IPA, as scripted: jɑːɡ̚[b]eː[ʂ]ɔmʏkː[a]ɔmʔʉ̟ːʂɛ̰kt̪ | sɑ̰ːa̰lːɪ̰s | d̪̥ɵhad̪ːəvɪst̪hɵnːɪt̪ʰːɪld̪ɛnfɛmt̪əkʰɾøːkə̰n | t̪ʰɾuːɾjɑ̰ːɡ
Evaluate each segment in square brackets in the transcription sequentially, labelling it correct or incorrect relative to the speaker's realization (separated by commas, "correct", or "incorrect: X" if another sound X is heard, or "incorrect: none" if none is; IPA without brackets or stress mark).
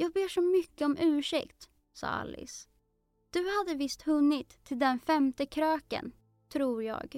correct, correct, incorrect: ə